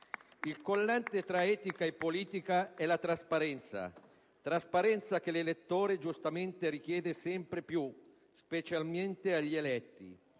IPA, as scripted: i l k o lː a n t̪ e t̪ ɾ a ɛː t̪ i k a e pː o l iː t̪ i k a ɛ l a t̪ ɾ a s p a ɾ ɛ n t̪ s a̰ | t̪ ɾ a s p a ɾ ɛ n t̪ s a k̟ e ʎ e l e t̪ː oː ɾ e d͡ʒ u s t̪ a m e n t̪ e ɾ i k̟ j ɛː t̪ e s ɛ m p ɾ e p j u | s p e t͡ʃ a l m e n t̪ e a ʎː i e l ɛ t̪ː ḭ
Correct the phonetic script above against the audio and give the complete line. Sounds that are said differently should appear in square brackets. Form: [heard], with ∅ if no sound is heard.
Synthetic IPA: i l k o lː a n t̪ e t̪ ɾ a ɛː t̪ i k a e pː o l iː t̪ i k a ɛ l a t̪ ɾ a s p a ɾ ɛ n t̪ s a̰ | t̪ ɾ a s p a ɾ ɛ n t̪ s a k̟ e [l] e l e t̪ː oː ɾ e d͡ʒ u s t̪ a m e n t̪ e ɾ i k̟ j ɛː [d̪] e s ɛ m p ɾ e p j u | s p e t͡ʃ a l m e n t̪ e a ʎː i e l ɛ t̪ː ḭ